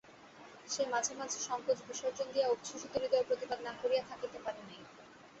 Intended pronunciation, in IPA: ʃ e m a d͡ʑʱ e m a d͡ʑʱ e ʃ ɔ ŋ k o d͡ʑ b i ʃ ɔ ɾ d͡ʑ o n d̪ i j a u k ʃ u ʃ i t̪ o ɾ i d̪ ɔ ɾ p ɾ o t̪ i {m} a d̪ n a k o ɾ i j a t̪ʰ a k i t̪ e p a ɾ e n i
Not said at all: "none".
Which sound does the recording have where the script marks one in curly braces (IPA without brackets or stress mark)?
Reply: b